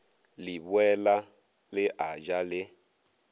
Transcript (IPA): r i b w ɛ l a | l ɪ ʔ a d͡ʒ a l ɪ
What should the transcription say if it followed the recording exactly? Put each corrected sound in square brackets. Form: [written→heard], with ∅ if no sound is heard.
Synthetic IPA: [r→l] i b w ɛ l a | l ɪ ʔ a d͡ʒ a l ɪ